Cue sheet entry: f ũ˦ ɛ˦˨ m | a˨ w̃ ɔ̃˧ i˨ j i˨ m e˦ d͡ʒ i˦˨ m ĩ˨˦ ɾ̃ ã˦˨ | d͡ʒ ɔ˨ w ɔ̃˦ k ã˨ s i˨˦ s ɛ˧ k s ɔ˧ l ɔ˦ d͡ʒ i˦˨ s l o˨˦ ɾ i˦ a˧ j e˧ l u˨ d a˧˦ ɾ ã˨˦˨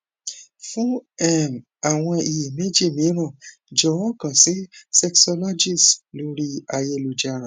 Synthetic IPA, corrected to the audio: f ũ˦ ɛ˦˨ m | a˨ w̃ ɔ̃˧ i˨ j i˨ m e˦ d͡ʒ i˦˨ m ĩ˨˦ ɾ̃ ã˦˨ | d͡ʒ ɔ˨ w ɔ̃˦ k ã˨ s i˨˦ s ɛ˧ k s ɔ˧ l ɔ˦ d͡ʒ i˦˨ s l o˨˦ ɾ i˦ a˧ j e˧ l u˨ d͡ʒ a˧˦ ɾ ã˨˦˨